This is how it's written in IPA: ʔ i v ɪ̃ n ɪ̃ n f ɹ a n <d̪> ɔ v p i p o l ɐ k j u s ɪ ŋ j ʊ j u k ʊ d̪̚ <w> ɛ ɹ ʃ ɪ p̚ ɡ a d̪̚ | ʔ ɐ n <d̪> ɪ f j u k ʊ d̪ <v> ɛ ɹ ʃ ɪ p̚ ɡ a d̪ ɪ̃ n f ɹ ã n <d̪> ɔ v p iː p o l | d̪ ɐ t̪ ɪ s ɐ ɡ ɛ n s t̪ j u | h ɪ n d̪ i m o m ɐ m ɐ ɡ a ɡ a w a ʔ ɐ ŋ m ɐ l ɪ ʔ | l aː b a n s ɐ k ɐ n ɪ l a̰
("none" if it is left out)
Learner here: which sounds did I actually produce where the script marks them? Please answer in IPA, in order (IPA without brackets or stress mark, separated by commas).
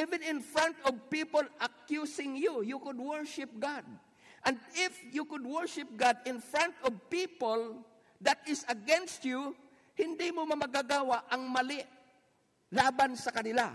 t̪, w, d̪, w, t̪